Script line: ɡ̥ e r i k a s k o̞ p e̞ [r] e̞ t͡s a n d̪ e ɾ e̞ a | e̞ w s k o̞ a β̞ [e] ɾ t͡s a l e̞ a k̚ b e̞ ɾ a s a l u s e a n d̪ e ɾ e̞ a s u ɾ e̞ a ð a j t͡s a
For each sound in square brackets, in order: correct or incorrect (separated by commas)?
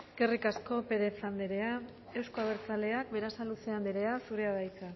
incorrect, correct